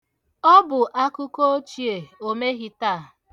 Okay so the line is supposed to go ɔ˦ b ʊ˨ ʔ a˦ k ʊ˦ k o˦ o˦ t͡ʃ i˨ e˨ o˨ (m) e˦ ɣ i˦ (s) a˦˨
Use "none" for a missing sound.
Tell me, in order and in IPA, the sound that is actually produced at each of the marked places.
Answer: m, t

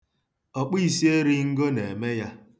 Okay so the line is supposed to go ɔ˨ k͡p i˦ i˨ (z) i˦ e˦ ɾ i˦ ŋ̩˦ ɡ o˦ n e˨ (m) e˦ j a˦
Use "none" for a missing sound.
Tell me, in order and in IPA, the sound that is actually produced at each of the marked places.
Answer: s, m

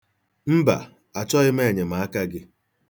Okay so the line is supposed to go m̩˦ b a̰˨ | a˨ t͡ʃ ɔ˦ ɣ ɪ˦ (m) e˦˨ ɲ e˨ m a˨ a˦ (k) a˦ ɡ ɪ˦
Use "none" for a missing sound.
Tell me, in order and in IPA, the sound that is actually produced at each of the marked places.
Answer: m, k

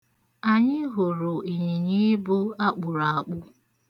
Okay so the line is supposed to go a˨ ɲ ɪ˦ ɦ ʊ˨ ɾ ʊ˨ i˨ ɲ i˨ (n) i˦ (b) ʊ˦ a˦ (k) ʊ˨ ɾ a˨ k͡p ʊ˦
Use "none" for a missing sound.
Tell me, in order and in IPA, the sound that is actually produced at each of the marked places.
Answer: ɲ, b, k͡p

